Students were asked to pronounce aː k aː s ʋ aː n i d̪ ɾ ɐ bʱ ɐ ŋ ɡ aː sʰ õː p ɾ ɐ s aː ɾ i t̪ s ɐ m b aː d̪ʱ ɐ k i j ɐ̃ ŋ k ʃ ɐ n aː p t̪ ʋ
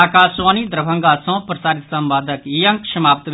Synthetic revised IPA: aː k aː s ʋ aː n i d̪ ɾ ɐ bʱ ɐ ŋ ɡ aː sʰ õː p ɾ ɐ s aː ɾ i t̪ s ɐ m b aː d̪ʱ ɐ k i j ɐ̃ ŋ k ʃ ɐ m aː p t̪ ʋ